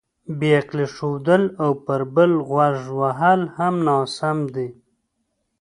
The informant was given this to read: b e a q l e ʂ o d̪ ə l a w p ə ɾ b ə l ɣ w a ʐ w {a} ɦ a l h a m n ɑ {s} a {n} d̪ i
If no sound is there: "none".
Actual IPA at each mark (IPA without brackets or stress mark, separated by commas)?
a, s, m